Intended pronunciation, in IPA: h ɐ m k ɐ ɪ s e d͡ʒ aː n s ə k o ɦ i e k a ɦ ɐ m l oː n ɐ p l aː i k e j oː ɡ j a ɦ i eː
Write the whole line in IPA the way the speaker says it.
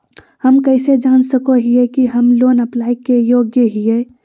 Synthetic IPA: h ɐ m k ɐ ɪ s e d͡ʒ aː n s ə k o ɦ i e k i ɦ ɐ m l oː n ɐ p l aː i k e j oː ɡ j ə ɦ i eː